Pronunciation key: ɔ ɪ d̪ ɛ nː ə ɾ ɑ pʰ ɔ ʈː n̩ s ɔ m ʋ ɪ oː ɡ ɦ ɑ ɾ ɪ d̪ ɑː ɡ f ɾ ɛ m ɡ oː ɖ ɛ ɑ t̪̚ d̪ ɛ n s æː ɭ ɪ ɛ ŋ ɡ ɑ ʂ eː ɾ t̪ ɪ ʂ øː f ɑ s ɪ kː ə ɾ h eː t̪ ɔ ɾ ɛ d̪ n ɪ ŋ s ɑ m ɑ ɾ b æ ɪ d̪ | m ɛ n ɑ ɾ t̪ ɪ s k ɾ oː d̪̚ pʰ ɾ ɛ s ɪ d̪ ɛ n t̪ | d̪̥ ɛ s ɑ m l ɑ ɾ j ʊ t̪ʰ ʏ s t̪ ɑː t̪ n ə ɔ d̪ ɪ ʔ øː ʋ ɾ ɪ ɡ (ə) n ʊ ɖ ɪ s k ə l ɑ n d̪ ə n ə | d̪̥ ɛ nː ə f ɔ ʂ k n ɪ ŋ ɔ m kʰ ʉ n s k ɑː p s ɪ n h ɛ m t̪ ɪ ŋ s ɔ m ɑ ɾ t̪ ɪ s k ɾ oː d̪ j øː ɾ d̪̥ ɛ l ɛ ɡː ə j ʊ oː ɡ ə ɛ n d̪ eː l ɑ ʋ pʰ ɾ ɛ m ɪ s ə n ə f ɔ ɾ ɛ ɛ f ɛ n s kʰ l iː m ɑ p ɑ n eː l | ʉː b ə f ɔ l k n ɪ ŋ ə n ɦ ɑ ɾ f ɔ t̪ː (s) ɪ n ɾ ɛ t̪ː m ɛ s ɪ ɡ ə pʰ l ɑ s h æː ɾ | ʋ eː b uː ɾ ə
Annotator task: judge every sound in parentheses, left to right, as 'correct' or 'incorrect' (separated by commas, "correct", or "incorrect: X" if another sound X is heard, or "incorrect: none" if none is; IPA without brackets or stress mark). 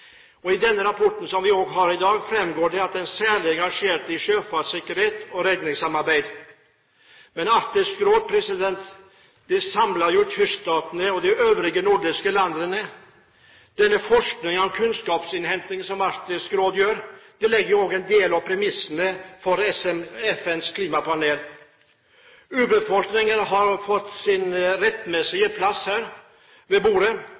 correct, correct